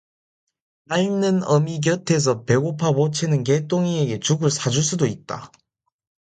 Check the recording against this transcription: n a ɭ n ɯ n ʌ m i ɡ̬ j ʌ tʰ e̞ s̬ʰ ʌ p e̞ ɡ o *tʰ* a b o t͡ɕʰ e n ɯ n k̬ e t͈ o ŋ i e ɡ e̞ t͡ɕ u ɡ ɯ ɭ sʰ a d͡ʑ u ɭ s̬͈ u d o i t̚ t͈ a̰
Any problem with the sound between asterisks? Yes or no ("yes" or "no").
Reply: yes